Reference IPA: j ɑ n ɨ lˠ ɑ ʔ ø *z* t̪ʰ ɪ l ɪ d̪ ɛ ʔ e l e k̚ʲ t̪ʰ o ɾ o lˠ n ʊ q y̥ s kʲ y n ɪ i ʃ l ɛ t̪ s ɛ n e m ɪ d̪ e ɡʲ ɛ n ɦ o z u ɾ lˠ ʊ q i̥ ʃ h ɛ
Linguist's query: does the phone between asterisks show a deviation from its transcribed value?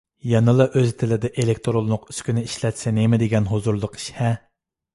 no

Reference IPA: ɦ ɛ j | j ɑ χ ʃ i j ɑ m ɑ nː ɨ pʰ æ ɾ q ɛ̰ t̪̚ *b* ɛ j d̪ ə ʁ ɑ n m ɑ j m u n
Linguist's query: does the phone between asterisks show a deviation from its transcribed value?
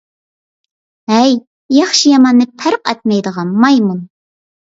yes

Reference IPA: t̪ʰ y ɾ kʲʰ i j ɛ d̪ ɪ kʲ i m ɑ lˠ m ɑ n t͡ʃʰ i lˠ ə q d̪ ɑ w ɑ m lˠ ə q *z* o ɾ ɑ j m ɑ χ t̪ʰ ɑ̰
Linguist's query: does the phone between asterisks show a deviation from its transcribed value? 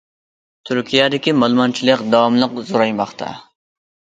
no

